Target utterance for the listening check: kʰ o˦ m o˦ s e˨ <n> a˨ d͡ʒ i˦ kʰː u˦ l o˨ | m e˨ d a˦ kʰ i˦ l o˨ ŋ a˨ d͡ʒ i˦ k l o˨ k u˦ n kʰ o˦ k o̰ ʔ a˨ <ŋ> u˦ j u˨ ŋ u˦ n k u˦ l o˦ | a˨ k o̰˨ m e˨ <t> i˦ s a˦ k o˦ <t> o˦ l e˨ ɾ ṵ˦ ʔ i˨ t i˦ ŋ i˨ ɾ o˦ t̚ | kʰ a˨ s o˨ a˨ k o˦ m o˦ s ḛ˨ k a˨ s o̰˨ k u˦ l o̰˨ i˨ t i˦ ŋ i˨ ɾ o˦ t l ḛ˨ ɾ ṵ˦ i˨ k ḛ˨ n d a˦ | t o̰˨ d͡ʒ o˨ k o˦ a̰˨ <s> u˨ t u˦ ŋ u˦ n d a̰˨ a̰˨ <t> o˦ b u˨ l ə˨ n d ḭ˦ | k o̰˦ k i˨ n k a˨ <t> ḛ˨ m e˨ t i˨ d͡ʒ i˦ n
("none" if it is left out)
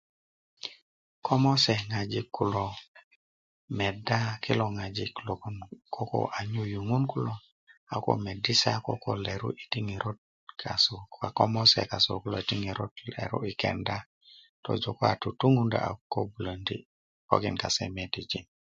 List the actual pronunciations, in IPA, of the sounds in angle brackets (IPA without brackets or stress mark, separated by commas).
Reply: ŋ, ɲ, d, k, t, k, s